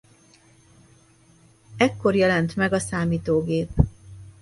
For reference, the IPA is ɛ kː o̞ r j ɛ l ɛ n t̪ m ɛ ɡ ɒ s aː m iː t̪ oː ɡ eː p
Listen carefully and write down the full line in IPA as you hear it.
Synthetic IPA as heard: ɛ kː o̞ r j ɛ l ɛ n t̪ m ɛ ɡ ɒ s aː m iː t̪ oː ɡ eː p